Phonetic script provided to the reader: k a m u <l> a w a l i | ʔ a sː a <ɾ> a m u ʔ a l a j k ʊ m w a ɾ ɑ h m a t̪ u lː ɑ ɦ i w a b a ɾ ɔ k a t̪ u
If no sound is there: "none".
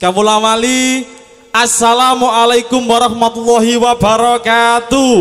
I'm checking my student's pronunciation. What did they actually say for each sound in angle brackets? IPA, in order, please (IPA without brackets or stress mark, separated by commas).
l, l